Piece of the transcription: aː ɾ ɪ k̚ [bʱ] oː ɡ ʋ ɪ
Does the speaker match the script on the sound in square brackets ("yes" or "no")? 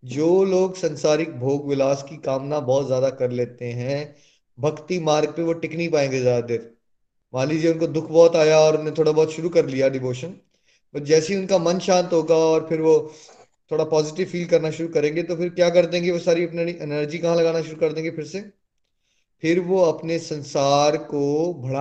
yes